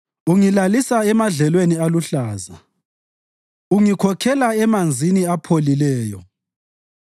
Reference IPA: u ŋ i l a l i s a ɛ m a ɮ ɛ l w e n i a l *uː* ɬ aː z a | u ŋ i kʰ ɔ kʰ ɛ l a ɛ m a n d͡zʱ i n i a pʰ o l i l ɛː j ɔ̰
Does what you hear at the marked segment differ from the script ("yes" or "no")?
yes